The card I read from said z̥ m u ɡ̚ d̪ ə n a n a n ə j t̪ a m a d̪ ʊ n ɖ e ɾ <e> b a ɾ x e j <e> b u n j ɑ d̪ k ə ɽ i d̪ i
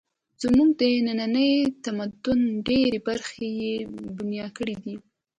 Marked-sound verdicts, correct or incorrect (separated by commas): correct, correct